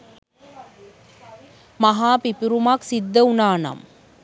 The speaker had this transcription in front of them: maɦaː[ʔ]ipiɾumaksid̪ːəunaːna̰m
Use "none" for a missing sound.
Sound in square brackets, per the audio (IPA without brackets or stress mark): p